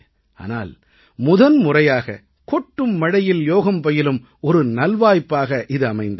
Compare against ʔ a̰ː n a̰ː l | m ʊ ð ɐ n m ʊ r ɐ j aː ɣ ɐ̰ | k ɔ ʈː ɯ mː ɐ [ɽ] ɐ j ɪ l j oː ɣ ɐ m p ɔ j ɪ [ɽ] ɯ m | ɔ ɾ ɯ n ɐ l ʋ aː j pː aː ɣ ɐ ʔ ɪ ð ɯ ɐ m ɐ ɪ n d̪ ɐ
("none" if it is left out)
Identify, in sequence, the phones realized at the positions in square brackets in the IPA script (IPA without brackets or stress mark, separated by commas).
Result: ɽ, l